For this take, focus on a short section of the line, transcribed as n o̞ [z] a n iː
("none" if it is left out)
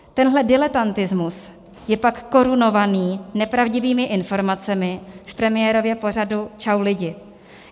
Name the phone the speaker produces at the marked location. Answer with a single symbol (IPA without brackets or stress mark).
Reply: v